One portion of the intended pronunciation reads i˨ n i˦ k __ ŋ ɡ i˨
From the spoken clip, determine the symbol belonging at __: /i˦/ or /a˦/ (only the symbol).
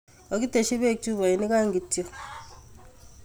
a˦